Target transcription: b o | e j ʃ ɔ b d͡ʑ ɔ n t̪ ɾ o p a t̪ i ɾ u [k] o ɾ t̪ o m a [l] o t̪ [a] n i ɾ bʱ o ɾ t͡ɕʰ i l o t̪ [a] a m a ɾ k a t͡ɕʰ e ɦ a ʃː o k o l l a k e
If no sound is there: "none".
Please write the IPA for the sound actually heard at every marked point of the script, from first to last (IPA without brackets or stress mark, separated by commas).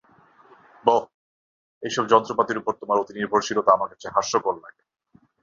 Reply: p, ɾ, i, a